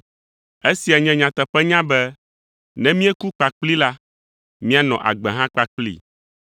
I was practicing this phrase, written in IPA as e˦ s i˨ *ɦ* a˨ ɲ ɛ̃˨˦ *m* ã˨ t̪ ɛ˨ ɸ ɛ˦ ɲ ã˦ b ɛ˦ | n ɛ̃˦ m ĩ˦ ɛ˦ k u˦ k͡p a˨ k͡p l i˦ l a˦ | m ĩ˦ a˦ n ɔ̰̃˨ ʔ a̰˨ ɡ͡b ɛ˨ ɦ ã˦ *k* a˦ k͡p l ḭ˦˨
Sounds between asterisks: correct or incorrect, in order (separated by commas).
incorrect, incorrect, incorrect